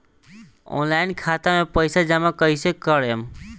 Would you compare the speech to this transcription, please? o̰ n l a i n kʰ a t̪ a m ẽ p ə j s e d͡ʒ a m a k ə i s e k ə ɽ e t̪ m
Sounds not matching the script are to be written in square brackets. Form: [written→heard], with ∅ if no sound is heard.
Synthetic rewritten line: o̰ n l a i n kʰ a t̪ a m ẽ p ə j s [e→a] d͡ʒ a m a k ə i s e k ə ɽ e [t̪→∅] m